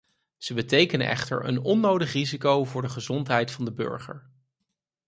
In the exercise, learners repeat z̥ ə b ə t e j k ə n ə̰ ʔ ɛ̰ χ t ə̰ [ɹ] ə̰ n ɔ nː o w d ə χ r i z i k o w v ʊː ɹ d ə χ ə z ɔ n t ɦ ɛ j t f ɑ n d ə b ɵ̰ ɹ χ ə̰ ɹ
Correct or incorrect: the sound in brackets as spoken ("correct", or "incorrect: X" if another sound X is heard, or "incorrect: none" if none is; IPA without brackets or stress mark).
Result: correct